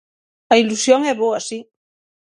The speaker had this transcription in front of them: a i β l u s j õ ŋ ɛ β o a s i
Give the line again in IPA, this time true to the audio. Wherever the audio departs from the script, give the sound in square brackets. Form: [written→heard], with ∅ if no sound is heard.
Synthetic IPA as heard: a i [β→∅] l u s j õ ŋ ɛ β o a s i